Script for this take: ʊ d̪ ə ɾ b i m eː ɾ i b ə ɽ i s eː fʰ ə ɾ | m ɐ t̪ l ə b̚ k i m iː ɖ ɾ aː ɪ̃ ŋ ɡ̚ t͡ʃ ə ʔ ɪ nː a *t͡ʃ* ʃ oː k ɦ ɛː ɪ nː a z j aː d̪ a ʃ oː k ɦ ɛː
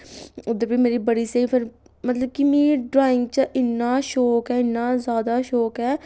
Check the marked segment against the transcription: incorrect: none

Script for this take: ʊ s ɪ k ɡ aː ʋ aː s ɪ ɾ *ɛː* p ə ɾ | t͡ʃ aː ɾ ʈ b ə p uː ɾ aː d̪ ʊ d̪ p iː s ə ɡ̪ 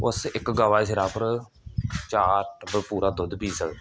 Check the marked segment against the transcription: incorrect: aː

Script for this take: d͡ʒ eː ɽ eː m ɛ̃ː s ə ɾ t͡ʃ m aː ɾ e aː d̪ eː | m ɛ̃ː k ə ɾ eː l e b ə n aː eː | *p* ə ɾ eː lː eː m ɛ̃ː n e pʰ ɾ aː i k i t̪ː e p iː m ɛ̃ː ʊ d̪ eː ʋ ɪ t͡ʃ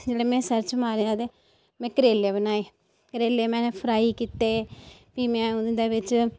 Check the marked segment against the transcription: incorrect: k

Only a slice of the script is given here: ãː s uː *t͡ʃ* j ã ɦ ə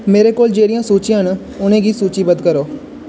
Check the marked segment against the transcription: correct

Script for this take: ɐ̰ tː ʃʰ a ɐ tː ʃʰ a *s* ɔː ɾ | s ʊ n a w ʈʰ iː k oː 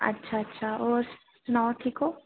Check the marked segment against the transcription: incorrect: none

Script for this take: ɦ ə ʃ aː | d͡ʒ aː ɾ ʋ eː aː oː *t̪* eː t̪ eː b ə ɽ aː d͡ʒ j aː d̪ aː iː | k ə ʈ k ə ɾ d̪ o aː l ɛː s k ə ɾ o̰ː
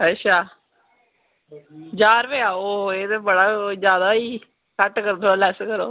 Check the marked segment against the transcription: incorrect: none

